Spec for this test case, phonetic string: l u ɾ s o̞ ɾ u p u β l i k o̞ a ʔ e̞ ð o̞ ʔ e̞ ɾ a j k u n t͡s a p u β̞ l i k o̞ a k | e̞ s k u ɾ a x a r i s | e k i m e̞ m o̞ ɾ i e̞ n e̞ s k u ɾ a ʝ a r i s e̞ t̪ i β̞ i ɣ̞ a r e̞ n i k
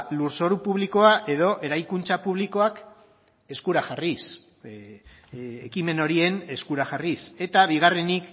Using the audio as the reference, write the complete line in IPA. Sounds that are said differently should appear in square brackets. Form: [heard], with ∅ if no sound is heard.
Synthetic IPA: l u ɾ s o̞ ɾ u p u β l i k o̞ a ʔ e̞ ð o̞ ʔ e̞ ɾ a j k u n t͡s a p u β̞ l i k o̞ a k | e̞ s k u ɾ a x a r i s | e k i m e̞ [n] o̞ ɾ i e̞ n e̞ s k u ɾ a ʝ a r i s e̞ t̪ [a] β̞ i ɣ̞ a r e̞ n i k